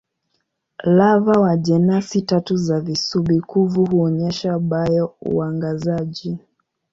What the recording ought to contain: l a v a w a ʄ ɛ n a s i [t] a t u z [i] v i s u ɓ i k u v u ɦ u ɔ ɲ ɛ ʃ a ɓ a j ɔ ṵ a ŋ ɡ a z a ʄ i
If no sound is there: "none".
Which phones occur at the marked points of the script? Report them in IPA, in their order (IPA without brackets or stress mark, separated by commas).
t, a